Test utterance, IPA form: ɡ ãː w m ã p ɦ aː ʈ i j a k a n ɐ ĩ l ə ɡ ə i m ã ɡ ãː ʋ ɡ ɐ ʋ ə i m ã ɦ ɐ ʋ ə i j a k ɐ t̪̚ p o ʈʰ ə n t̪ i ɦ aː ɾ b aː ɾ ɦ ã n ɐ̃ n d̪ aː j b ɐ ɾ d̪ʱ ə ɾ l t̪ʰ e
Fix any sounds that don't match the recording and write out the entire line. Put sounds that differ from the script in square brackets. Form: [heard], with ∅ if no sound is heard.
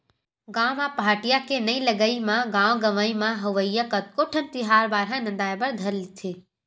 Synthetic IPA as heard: ɡ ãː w m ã p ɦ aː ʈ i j a k [e] n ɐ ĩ l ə ɡ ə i m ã ɡ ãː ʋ ɡ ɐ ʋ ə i m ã ɦ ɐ ʋ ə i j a k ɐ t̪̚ [k] o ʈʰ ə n t̪ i ɦ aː ɾ b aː ɾ ɦ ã n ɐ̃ n d̪ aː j b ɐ ɾ d̪ʱ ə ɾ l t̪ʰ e

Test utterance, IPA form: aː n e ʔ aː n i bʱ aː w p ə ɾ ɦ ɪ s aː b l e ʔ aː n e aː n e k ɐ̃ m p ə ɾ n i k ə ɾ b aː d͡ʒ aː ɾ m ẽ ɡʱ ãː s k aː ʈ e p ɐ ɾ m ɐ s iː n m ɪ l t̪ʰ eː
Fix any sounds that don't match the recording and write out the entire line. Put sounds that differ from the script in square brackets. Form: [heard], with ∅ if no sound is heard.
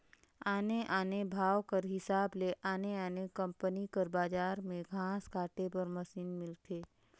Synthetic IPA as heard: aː n e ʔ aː n [e] bʱ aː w [k] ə ɾ ɦ ɪ s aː b l e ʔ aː n e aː n e k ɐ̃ m p ə [∅] n i k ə ɾ b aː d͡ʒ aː ɾ m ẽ ɡʱ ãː s k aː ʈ e p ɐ ɾ m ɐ s iː n m ɪ l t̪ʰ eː

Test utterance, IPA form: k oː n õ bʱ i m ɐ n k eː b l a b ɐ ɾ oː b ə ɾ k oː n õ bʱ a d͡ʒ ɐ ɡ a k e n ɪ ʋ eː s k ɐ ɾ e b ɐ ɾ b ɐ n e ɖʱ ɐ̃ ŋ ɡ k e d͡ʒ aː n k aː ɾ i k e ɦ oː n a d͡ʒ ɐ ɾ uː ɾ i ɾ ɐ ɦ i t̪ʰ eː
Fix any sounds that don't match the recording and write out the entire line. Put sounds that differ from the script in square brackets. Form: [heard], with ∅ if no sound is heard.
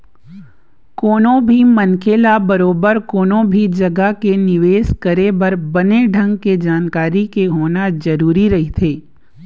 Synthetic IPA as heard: k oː n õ bʱ i m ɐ n k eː [∅] l a b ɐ ɾ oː b ə ɾ k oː n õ bʱ [i] d͡ʒ ɐ ɡ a k e n ɪ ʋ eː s k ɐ ɾ e b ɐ ɾ b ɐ n e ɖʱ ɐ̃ ŋ ɡ k e d͡ʒ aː n k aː ɾ i k e ɦ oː n a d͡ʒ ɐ ɾ uː ɾ i ɾ ɐ ɦ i t̪ʰ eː

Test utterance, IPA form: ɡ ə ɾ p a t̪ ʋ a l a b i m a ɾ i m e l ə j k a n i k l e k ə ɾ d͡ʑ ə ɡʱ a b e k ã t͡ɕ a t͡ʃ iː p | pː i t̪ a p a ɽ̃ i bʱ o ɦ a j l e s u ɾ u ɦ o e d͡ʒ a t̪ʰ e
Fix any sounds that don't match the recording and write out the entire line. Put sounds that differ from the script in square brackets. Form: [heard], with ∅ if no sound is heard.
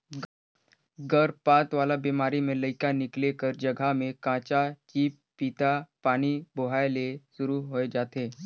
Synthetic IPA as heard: ɡ ə ɾ p a t̪ ʋ a l a b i m a ɾ i m e l ə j k a n i k l e k ə ɾ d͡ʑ ə ɡʱ a [m] e k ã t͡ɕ a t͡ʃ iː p | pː i t̪ a p a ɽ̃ i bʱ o ɦ a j l e s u ɾ u ɦ o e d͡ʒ a [t̪] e

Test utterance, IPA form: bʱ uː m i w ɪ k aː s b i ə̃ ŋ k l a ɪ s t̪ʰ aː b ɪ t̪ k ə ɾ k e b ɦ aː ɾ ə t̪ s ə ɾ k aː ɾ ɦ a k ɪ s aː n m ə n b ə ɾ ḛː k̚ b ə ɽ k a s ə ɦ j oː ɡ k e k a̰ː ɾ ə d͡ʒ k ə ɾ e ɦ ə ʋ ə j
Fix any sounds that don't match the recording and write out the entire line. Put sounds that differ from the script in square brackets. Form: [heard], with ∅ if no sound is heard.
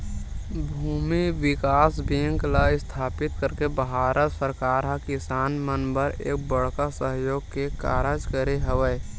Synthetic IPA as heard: bʱ uː m i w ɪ k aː s b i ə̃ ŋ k l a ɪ s t̪ʰ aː [p] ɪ t̪ k ə ɾ k e b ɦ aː ɾ ə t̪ s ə ɾ k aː ɾ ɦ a k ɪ s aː n m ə n b ə ɾ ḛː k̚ b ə ɽ k a s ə ɦ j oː ɡ k e k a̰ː ɾ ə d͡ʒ k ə ɾ e ɦ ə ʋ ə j

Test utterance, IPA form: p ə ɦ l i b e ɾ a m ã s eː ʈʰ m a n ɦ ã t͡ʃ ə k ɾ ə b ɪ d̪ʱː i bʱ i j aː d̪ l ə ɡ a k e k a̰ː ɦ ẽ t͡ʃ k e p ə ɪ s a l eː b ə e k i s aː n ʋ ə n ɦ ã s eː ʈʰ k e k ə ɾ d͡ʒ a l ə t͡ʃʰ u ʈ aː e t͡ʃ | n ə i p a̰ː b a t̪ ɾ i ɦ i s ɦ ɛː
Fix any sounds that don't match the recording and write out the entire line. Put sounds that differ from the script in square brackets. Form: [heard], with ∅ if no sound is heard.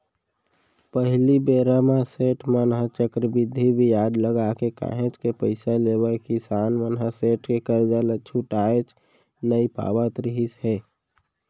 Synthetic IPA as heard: p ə ɦ l i b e ɾ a m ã s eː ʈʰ m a n ɦ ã t͡ʃ ə k ɾ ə b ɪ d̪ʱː i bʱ i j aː d̪ l ə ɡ a k e k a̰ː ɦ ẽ t͡ʃ k e p ə ɪ s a l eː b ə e k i s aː n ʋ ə n ɦ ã s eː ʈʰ k e k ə ɾ d͡ʒ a l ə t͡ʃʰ u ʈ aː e t͡ʃ | n ə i p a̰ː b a t̪ ɾ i ɦ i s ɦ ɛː

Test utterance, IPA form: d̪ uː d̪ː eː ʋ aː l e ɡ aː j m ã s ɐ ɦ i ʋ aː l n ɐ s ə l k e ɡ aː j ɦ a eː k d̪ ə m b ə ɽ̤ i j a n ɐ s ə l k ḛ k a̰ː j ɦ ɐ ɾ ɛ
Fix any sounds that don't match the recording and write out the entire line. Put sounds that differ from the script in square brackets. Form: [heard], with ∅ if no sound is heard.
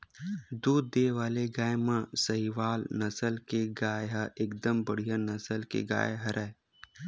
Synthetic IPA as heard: d̪ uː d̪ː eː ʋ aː l e ɡ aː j m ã s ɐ ɦ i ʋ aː l n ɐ s ə l k e ɡ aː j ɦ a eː k d̪ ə m b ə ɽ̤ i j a n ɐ s ə l k ḛ [ɡ] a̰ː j ɦ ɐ ɾ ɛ

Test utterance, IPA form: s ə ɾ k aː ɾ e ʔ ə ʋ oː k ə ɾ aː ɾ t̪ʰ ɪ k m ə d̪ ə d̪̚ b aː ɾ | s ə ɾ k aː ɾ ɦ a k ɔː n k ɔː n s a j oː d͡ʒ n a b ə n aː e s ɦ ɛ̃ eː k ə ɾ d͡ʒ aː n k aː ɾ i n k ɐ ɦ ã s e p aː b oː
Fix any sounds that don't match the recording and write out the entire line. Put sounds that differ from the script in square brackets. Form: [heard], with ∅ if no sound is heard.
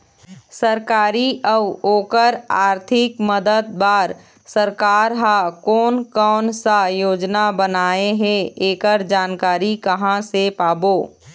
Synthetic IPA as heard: s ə ɾ k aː ɾ [i] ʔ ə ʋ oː k ə ɾ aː ɾ t̪ʰ ɪ k m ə d̪ ə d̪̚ b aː ɾ | s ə ɾ k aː ɾ ɦ a k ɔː n k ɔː n s a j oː d͡ʒ n a b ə n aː e [∅] ɦ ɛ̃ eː k ə ɾ d͡ʒ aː n k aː ɾ i [∅] k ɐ ɦ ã s e p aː b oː

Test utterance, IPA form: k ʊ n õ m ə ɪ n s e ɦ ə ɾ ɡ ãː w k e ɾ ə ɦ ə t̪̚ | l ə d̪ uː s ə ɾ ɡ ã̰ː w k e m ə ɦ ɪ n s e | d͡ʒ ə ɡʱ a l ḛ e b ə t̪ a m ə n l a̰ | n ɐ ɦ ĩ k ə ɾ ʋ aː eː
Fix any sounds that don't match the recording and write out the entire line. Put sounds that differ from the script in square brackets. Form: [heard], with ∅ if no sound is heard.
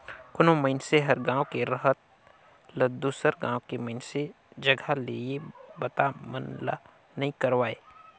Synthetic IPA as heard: k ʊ n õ m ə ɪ n s e ɦ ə ɾ ɡ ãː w k e ɾ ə ɦ ə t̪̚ | l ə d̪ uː s ə ɾ ɡ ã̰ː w k e m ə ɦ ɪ n s e | d͡ʒ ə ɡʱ a l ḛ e b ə t̪ a m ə n l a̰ | n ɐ ɦ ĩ k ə ɾ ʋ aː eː

